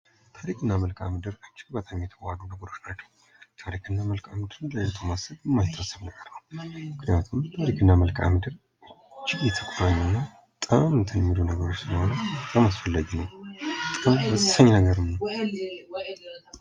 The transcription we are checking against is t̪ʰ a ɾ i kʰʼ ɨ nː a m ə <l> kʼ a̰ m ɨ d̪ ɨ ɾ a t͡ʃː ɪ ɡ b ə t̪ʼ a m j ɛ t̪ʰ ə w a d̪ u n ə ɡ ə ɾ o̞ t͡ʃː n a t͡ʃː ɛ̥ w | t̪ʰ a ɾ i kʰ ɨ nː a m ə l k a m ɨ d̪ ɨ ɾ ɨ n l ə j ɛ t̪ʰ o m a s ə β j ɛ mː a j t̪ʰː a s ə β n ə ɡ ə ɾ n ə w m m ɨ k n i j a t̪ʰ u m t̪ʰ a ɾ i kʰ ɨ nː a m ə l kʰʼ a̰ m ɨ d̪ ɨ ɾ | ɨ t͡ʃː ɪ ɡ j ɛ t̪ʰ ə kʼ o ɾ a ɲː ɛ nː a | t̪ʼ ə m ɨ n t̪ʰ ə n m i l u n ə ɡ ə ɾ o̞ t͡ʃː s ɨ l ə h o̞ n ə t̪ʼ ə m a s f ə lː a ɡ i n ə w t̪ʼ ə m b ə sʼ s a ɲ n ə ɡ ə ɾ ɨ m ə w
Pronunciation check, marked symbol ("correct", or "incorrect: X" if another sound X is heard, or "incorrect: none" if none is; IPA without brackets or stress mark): correct